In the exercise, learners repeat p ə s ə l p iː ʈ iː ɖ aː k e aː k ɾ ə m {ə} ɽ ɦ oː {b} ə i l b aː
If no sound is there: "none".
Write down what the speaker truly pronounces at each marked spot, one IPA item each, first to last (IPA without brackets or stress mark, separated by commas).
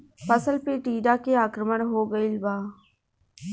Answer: ə, ɡ